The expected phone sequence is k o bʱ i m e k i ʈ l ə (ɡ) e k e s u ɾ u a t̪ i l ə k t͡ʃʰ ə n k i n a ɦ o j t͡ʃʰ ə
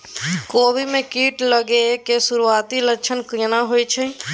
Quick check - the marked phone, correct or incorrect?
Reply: correct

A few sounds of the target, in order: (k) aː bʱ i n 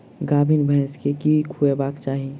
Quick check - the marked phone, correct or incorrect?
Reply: incorrect: ɡ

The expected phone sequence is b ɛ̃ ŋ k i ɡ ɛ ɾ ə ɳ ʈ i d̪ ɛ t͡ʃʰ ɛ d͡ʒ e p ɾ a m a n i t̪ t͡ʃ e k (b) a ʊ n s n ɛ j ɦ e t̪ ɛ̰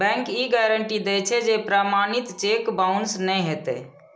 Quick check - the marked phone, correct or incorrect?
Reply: correct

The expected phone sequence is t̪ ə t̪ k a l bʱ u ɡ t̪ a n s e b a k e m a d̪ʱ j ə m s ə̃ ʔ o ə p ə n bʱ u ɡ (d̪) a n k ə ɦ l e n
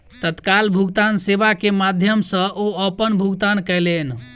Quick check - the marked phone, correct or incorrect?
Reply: incorrect: t̪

